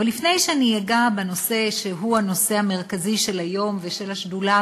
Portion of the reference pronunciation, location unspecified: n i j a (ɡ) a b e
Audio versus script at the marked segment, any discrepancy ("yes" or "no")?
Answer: no